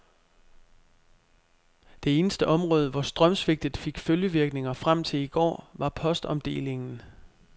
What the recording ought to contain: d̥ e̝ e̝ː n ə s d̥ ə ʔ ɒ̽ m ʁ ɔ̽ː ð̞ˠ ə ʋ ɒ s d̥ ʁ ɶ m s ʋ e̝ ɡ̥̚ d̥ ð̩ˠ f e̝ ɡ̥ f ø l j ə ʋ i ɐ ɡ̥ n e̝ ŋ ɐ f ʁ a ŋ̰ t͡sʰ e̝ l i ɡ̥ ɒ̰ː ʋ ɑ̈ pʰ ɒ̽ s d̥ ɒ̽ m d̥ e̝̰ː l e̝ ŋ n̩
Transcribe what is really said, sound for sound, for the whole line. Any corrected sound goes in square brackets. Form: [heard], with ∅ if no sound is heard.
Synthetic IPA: d̥ e̝ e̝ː n ə s d̥ ə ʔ ɒ̽ m ʁ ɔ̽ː ð̞ˠ ə ʋ ɒ s d̥ ʁ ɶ m s ʋ e̝ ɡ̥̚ d̥ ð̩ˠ f e̝ ɡ̥ f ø l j ə ʋ i ɐ ɡ̥ n e̝ ŋ ɐ f ʁ a [m̰] t͡sʰ e̝ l i ɡ̥ ɒ̰ː ʋ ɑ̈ pʰ ɒ̽ s d̥ ɒ̽ m d̥ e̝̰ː l e̝ ŋ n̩